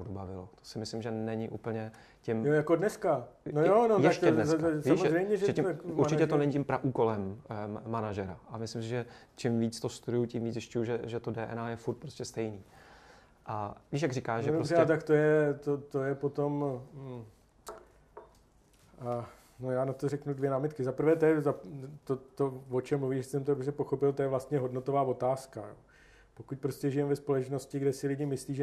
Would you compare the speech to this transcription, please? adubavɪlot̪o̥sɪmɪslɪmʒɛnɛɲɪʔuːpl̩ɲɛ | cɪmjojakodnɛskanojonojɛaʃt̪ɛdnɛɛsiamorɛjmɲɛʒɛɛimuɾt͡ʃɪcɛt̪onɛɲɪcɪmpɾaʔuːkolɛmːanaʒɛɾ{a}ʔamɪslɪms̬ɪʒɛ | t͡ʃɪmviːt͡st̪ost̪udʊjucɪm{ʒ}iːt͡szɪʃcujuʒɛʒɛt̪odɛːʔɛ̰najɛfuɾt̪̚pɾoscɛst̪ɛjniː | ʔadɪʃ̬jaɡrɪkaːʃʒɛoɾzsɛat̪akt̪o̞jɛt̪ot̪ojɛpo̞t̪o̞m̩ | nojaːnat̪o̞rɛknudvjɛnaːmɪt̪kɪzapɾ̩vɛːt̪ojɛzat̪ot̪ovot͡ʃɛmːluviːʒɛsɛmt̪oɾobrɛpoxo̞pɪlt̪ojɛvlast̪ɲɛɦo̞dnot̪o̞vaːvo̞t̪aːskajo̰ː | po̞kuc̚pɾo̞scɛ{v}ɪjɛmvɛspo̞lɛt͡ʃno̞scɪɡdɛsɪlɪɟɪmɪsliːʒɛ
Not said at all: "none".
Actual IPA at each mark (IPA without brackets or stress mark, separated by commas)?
a, v, ʒ